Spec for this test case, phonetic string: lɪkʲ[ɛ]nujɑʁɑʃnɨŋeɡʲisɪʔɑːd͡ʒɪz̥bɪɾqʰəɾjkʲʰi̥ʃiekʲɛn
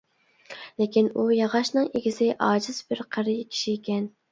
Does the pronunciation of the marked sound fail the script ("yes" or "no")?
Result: yes